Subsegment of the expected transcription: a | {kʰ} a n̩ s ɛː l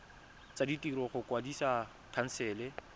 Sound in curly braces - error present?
no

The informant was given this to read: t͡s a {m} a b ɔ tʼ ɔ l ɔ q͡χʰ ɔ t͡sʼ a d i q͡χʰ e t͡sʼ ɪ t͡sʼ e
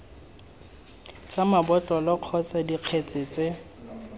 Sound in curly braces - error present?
no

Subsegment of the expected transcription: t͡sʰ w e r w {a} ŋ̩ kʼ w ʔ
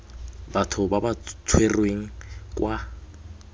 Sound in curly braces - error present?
yes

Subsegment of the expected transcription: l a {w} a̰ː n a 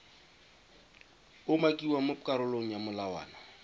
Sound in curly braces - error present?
no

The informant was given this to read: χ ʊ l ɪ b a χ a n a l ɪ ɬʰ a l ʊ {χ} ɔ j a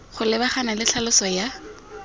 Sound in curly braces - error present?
yes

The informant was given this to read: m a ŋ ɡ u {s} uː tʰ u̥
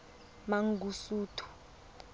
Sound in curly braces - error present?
no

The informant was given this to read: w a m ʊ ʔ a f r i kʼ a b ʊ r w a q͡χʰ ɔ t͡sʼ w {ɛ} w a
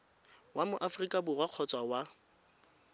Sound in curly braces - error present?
yes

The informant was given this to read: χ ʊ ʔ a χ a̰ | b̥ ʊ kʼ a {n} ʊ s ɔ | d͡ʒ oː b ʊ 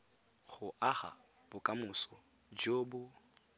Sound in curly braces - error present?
yes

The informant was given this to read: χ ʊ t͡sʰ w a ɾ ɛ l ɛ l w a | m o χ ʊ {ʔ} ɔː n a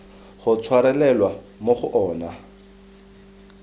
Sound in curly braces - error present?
no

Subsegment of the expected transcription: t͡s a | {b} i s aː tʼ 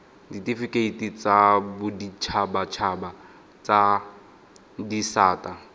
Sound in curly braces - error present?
yes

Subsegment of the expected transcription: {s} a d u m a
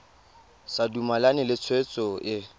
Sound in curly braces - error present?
no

